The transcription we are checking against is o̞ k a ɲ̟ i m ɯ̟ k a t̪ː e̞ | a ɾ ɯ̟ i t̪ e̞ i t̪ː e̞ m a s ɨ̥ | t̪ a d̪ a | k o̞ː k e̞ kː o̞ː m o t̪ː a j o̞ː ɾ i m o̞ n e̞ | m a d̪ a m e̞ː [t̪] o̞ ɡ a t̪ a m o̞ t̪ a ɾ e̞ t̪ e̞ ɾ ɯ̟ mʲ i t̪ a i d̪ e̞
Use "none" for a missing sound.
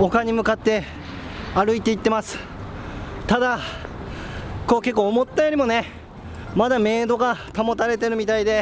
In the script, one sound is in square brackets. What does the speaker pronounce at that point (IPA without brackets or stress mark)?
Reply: d̪